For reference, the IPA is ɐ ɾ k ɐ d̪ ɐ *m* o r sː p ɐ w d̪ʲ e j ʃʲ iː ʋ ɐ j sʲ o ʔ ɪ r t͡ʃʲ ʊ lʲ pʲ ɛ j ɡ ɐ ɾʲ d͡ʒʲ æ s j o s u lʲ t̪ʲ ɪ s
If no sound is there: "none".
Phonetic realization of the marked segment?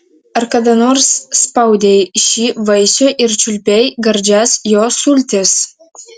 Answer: n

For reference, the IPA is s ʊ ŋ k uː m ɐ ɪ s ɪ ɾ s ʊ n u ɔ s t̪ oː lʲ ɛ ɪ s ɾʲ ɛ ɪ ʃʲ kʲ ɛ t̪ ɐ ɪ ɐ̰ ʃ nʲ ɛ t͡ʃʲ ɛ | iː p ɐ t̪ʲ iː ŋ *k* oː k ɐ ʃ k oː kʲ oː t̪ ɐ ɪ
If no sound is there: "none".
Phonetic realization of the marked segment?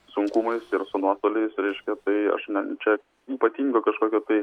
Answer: ɡ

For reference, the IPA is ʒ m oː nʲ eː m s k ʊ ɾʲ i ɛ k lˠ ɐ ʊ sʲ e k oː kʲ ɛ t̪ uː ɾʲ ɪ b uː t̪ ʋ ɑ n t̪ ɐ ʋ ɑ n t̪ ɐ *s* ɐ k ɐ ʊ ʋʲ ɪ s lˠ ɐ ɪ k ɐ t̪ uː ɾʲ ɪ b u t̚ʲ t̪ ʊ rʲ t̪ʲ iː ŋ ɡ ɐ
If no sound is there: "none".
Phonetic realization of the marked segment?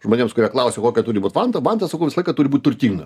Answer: s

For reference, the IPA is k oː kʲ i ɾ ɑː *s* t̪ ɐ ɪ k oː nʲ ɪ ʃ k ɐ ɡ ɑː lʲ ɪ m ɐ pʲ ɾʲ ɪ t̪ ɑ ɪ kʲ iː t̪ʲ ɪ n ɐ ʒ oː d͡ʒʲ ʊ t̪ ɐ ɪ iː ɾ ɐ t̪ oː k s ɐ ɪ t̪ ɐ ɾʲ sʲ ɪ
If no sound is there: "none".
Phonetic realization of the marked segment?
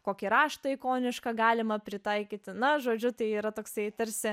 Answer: ʃ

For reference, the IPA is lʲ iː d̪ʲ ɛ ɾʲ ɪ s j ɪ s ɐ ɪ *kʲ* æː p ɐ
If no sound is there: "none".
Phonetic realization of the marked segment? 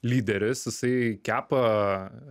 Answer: kʲ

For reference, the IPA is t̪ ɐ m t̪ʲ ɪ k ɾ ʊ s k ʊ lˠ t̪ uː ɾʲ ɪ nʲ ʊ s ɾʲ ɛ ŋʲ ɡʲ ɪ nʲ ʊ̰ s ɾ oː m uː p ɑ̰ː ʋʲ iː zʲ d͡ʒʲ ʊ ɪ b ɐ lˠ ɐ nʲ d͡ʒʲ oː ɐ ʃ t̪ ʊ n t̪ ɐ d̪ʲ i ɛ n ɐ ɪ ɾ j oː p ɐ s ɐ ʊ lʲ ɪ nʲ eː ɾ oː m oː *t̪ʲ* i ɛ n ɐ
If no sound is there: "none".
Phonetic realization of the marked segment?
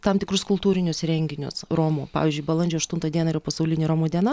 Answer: d̪ʲ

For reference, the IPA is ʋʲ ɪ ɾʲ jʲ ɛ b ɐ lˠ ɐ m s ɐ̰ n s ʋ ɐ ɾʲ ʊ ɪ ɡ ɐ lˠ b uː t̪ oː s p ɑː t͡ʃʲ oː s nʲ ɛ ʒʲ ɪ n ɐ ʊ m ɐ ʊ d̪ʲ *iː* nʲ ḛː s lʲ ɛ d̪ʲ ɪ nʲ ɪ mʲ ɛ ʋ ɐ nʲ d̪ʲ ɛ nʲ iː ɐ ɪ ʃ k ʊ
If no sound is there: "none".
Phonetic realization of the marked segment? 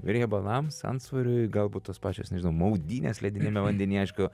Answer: iː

